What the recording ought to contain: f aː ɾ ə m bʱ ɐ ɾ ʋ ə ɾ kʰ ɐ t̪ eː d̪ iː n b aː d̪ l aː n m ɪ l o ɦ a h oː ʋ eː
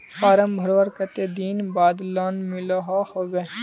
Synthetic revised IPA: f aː ɾ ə m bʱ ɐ ɾ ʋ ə ɾ k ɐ t̪ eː d̪ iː n b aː d̪ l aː n m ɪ l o ɦ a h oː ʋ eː